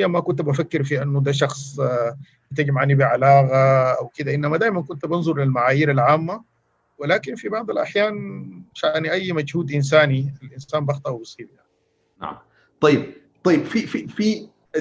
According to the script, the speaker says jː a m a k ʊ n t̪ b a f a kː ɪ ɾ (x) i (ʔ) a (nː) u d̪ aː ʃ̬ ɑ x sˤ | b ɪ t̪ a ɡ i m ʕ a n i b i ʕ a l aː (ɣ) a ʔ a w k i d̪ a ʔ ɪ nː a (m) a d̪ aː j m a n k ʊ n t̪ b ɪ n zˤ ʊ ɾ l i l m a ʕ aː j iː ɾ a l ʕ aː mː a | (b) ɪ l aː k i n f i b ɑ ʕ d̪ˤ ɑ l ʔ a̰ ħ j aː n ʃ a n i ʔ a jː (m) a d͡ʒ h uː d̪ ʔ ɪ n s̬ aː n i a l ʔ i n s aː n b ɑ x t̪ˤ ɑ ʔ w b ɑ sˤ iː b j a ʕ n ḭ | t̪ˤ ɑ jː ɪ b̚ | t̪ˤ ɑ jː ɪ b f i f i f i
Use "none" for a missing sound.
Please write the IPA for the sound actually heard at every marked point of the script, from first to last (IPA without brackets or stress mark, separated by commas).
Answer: f, ʔ, nː, ɣ, m, w, m